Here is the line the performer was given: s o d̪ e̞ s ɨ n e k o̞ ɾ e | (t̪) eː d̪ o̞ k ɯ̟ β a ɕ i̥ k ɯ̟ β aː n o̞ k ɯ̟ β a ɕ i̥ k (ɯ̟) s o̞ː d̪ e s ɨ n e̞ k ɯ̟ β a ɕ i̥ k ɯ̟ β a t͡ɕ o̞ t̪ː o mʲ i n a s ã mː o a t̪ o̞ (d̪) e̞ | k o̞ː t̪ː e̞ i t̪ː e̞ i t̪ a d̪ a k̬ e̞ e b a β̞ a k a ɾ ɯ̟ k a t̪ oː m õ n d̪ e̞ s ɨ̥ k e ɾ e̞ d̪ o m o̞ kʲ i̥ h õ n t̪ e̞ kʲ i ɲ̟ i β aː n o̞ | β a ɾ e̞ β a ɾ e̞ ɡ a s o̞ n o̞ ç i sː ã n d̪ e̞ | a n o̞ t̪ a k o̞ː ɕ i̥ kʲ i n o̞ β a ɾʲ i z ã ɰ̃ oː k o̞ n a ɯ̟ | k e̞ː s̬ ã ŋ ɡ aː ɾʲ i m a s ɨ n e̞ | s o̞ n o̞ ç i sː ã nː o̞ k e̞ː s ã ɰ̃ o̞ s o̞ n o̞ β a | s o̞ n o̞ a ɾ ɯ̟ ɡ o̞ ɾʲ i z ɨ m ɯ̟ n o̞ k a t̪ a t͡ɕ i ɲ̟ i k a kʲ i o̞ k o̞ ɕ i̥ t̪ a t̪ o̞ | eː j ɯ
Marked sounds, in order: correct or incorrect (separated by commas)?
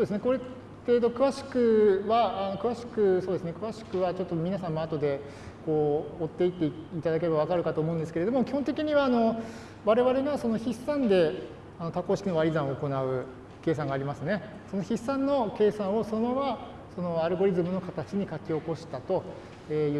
correct, correct, correct